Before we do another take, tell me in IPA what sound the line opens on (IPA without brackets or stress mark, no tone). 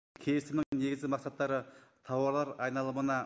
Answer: kʲʰ